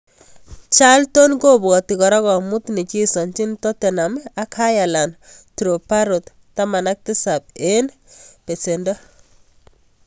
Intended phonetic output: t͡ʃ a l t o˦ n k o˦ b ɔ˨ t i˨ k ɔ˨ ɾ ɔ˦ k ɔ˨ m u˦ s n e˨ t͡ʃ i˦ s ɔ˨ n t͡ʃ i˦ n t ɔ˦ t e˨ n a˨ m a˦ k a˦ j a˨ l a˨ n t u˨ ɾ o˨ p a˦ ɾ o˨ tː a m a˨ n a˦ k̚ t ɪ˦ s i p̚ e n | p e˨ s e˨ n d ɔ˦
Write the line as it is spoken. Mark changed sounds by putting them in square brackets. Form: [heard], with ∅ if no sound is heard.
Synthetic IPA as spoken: t͡ʃ a l t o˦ n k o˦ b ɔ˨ t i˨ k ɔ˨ ɾ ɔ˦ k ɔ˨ m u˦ [t] n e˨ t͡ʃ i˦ s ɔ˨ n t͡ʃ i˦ n t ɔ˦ t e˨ n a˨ m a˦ k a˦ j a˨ l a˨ n t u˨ ɾ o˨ p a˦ ɾ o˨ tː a m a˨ n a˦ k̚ t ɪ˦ s [a] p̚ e n | p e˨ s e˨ n d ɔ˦